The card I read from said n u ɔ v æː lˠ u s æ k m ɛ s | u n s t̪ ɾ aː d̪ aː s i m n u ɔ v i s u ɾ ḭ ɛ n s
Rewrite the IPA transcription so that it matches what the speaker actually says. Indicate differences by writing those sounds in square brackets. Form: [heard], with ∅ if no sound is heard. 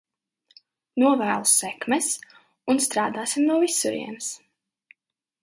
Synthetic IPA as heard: n u ɔ v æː lˠ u s [ɛ] k m ɛ s | u n s t̪ ɾ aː d̪ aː s i m n u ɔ v i s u ɾ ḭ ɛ n s